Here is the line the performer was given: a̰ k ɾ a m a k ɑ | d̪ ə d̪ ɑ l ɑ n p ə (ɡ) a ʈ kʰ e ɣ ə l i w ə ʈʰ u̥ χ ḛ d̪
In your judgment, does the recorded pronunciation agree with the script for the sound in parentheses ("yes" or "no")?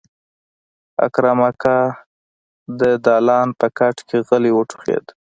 no